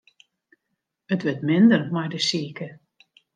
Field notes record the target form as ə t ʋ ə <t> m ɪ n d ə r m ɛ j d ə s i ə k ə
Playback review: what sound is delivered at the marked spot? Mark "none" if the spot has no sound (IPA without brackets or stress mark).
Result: t